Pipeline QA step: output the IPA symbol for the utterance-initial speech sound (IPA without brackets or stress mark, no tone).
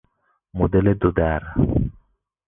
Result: m